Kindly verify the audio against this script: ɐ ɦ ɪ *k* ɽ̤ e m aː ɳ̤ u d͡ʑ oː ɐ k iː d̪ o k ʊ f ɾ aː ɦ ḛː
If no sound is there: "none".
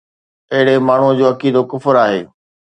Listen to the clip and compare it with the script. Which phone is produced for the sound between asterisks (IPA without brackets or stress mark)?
none